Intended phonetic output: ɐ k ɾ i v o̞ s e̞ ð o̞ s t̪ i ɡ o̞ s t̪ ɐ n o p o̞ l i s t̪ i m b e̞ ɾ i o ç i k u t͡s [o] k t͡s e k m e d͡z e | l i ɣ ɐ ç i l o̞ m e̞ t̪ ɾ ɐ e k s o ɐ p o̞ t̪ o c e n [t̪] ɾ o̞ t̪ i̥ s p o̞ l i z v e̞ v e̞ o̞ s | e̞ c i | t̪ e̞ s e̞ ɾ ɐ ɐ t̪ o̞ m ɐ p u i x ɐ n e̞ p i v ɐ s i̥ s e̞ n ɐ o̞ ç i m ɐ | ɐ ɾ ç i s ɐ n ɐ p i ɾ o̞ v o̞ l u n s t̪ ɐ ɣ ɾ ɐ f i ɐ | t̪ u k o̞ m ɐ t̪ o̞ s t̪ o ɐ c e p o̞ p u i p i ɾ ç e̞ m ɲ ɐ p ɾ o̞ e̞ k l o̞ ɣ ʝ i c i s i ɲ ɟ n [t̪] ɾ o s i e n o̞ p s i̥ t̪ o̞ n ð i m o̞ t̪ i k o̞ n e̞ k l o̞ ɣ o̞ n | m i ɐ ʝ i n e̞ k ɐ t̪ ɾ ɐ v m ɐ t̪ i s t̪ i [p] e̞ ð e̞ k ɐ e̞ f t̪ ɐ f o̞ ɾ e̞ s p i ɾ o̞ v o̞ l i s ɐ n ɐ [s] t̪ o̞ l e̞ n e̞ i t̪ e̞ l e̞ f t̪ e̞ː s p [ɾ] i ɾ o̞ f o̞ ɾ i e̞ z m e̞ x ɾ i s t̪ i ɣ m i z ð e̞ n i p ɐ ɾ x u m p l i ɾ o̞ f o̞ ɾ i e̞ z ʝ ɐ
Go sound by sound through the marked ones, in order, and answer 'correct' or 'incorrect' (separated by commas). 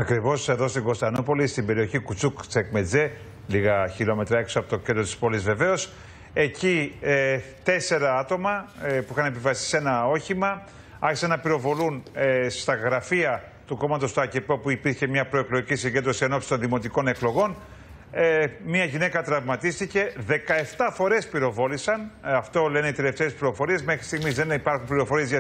incorrect, incorrect, incorrect, incorrect, incorrect, incorrect